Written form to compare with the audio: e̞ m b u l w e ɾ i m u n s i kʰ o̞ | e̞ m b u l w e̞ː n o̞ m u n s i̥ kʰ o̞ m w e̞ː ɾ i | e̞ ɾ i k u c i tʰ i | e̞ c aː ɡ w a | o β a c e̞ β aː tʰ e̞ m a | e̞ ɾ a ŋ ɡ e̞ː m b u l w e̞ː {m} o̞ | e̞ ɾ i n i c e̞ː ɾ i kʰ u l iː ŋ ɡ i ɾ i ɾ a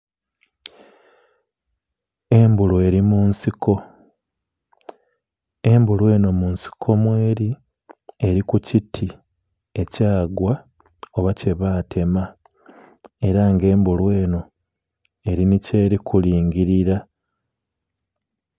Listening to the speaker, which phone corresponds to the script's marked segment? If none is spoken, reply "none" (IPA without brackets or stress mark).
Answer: n